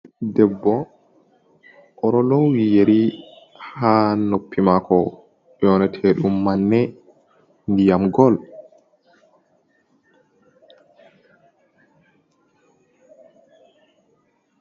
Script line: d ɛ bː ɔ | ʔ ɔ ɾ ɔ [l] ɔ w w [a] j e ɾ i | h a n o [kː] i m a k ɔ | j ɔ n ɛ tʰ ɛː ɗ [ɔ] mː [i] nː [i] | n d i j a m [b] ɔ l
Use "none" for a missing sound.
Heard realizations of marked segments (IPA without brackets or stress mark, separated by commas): l, i, pː, u, a, ɛ, ɡ